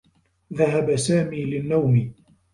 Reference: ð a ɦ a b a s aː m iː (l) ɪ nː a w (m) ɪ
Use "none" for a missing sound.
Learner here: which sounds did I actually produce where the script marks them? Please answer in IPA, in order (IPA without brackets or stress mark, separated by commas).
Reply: l, m